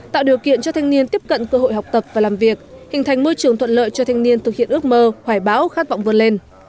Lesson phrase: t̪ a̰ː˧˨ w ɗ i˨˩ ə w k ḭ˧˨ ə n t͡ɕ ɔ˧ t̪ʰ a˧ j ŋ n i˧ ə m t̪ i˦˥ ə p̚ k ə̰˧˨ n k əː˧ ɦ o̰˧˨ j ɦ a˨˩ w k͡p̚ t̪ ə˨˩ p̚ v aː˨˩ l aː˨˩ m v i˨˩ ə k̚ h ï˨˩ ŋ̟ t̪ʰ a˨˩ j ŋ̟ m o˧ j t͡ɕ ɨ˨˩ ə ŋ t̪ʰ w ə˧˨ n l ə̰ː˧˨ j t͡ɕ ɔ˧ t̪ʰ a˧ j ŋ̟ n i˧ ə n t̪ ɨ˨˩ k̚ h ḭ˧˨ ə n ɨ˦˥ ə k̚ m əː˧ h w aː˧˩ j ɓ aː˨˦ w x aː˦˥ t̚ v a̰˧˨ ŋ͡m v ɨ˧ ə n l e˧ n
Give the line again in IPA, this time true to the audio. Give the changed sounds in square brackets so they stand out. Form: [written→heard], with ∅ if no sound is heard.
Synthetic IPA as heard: t̪ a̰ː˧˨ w ɗ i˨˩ ə w k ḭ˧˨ ə n t͡ɕ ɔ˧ t̪ʰ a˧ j ŋ n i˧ ə [m→n] t̪ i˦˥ ə p̚ k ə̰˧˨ n k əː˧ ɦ o̰˧˨ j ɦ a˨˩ w k͡p̚ t̪ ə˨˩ p̚ v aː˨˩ l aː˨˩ m v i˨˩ ə k̚ h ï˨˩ ŋ̟ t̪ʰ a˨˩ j ŋ̟ m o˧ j t͡ɕ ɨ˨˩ ə ŋ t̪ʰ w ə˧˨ n l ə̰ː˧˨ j t͡ɕ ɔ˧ t̪ʰ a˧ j ŋ̟ n i˧ ə n t̪ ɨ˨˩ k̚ h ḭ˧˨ ə n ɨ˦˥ ə k̚ m əː˧ h w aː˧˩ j ɓ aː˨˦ w x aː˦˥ t̚ v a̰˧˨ ŋ͡m v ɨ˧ ə n l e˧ n